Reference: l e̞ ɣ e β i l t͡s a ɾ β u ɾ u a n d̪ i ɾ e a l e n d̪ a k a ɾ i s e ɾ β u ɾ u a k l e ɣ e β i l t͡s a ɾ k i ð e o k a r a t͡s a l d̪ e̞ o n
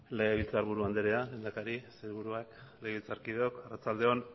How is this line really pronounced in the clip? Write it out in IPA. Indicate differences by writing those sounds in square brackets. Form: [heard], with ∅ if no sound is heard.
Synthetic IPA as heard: l e̞ ɣ e β i l t͡s a ɾ β u ɾ u a n d̪ [e] ɾ e a l e n d̪ a k a ɾ i s e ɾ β u ɾ u a k l e ɣ e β i l t͡s a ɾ k i ð e o k a r a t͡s a l d̪ e̞ o n